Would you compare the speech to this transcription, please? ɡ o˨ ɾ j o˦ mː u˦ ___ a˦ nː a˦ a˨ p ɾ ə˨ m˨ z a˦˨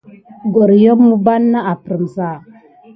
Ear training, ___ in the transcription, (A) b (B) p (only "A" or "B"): A